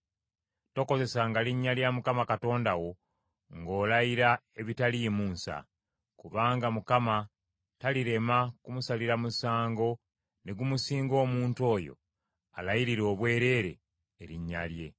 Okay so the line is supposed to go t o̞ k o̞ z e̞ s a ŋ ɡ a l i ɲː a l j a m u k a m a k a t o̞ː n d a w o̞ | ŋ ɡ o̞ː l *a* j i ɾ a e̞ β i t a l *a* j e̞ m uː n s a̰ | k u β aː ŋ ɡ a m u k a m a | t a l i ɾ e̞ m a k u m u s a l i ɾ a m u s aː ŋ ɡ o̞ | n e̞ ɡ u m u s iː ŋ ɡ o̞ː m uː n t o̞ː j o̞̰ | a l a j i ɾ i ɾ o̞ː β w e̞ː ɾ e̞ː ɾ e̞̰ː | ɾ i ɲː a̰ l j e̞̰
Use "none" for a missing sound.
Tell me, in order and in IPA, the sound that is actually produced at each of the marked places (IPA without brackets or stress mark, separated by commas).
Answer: a, i